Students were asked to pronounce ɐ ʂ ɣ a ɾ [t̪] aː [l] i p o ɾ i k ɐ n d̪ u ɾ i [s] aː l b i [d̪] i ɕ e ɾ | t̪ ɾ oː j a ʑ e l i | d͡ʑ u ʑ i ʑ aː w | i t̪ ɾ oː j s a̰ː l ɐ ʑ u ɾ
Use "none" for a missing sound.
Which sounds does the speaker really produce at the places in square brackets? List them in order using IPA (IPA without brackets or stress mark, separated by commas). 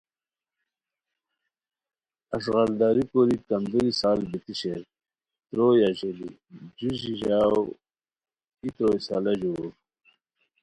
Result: d̪, ɾ, s, t̪